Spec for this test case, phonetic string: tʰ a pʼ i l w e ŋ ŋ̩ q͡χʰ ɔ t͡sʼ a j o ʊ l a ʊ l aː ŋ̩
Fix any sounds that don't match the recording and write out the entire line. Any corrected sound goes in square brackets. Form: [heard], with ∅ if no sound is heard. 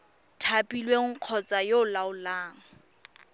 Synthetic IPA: tʰ a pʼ i l w e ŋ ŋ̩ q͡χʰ ɔ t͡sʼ a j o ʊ l a ʊ l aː ŋ̩